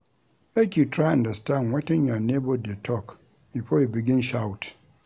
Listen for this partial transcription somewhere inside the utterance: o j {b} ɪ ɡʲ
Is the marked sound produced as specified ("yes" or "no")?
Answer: yes